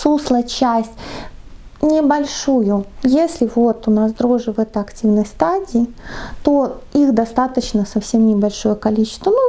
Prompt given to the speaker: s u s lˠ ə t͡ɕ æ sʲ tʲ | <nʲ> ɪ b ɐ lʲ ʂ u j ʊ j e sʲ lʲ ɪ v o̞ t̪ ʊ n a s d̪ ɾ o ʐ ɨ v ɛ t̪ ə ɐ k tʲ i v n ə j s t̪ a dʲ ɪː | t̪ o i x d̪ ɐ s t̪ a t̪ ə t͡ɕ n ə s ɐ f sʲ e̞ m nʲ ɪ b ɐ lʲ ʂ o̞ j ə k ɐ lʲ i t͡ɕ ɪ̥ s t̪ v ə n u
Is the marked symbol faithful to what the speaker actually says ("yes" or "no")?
yes